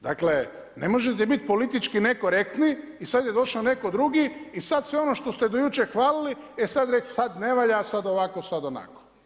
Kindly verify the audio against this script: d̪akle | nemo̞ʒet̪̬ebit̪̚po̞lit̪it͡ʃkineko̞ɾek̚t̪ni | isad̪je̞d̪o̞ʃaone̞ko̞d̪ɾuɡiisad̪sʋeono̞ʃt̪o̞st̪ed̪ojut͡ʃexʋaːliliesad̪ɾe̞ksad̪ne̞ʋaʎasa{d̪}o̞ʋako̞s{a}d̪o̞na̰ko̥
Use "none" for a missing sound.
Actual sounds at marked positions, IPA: d̪, a

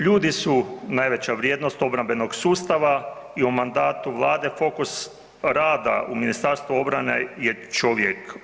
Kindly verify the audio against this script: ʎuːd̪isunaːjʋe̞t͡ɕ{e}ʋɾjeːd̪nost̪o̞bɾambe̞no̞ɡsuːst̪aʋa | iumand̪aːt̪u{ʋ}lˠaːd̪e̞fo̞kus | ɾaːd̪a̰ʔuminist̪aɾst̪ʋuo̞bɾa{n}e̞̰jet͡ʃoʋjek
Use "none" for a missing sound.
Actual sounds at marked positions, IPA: a, ʋ, n

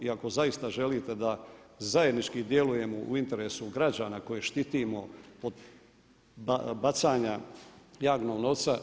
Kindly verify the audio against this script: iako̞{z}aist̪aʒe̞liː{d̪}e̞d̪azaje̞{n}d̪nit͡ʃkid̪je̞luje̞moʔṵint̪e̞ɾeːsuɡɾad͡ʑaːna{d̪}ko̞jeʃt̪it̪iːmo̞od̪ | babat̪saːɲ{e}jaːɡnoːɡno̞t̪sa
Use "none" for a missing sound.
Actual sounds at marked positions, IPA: z, t̪, none, none, a

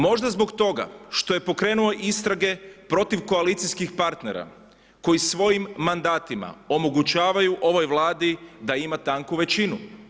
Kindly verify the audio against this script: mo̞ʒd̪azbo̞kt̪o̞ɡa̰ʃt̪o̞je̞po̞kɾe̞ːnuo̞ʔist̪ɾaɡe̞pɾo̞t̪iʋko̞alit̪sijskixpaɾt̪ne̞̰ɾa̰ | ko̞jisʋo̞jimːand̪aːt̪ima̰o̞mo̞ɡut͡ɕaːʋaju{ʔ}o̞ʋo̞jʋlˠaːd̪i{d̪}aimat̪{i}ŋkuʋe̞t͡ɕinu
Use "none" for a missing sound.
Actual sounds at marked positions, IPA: ʔ, d̪, a

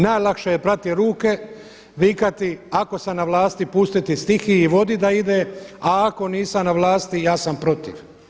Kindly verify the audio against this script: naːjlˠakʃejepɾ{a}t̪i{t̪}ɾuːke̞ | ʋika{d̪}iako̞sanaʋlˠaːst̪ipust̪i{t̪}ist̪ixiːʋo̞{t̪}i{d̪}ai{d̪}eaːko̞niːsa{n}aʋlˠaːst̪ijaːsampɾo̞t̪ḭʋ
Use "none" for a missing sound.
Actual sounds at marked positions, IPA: a, none, t̪, t̪, d̪, d̪, d̪, n

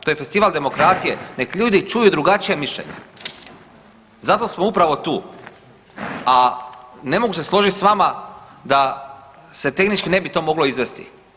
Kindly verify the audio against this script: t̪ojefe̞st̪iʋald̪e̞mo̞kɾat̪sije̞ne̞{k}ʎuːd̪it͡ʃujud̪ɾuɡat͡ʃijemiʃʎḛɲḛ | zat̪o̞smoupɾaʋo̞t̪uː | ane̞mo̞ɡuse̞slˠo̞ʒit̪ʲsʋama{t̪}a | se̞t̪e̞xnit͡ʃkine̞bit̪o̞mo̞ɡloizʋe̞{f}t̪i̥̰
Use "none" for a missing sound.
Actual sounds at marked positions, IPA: k, d̪, s

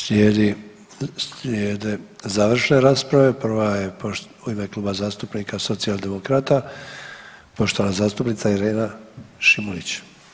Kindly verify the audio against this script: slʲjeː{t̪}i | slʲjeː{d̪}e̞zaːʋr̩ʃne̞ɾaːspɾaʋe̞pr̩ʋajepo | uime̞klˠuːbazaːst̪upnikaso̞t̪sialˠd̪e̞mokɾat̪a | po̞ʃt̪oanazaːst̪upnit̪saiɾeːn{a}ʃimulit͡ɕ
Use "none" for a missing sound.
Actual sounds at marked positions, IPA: d̪, d̪, a

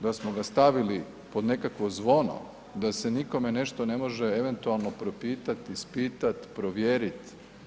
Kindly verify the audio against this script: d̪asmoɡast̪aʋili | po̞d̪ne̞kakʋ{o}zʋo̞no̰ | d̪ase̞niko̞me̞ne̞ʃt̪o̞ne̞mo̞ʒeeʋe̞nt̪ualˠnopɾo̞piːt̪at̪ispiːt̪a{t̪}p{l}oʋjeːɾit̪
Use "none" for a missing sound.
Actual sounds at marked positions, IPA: o, t̪, ɾ

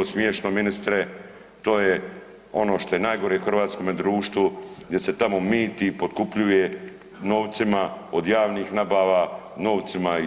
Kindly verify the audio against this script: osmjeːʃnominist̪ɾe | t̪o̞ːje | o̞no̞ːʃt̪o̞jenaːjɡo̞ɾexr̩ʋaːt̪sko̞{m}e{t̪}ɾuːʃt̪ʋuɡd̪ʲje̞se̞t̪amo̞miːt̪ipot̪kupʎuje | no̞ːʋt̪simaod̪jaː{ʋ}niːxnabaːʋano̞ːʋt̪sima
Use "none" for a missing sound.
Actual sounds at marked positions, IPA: m, d̪, ʋ

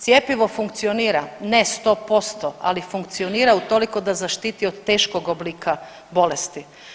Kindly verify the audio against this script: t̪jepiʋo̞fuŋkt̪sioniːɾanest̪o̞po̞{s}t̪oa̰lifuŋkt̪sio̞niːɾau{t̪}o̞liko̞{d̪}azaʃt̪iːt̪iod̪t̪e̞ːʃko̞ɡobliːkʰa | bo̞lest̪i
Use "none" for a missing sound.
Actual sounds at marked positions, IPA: s, t̪, d̪

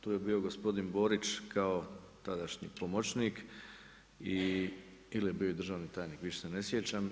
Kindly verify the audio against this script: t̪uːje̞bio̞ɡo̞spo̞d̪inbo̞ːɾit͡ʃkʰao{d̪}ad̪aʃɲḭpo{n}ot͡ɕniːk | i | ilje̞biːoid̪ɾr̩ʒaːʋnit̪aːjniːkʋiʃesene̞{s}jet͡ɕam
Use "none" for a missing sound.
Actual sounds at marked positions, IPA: t̪, m, s

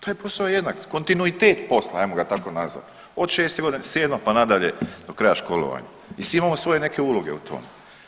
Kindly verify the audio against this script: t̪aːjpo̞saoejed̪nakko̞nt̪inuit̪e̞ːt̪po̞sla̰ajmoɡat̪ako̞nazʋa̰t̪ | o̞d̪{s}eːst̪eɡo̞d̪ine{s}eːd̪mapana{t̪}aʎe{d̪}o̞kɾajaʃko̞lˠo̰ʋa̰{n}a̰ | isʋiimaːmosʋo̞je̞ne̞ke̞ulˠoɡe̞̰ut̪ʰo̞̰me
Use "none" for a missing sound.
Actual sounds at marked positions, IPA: ʃ, s, d̪, d̪, ɲ

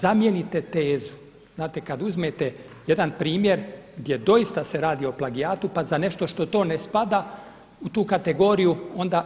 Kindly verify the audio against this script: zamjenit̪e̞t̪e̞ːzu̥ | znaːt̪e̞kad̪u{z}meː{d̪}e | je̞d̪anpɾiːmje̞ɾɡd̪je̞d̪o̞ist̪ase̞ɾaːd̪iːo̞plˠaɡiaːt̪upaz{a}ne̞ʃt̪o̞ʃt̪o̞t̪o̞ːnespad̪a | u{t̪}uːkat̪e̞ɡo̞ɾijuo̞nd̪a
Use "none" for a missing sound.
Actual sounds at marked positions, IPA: z, t̪, a, t̪

